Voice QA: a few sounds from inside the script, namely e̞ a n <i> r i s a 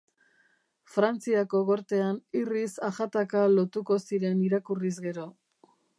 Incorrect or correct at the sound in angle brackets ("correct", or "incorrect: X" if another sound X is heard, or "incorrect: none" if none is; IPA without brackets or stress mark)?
correct